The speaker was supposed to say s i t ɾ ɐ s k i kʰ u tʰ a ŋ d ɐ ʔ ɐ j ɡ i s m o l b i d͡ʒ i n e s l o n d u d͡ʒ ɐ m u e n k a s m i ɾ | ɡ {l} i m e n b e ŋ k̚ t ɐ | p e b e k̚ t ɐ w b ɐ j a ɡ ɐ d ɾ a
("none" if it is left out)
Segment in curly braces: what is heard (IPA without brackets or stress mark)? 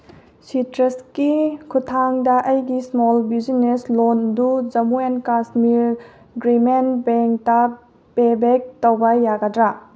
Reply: ɾ